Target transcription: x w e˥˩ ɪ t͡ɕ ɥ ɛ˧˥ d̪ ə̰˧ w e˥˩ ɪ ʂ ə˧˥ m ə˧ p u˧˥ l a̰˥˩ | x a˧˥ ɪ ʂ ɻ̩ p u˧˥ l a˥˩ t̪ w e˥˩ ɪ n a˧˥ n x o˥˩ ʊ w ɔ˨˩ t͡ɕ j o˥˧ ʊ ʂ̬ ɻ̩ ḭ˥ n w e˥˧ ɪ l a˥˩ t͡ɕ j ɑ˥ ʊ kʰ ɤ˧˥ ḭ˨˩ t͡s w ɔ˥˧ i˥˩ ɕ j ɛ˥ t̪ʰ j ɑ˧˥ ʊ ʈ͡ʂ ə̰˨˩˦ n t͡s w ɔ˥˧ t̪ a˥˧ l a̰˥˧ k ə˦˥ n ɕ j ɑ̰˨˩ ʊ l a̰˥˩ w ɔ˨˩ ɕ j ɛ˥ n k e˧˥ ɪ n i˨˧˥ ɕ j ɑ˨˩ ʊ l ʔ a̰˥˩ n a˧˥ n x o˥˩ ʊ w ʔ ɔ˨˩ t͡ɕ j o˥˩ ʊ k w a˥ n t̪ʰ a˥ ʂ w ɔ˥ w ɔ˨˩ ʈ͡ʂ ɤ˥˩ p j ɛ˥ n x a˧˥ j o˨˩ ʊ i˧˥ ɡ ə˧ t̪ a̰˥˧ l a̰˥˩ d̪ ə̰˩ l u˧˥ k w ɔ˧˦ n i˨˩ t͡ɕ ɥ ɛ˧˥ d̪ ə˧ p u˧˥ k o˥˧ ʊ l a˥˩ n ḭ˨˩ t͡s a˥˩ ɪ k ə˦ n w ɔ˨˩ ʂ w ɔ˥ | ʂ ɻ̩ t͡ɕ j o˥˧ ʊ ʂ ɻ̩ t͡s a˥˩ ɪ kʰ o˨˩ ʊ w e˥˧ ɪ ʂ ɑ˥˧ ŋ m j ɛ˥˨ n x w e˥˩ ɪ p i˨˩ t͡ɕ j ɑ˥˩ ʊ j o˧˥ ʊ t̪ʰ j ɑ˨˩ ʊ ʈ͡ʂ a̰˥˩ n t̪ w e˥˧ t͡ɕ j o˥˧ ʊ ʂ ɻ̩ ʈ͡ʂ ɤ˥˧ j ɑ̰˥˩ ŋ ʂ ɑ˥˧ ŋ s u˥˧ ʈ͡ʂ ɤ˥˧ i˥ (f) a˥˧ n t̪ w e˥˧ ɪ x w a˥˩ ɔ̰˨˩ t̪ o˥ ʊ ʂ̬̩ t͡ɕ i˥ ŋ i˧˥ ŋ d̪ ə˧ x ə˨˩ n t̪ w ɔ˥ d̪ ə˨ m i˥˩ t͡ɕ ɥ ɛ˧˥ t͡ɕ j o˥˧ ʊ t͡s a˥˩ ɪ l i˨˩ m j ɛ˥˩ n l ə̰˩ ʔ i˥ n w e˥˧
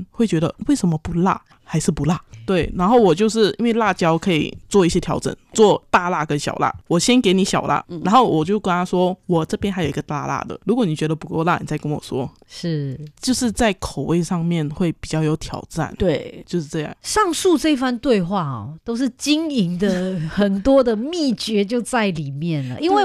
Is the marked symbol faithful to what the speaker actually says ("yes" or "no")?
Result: yes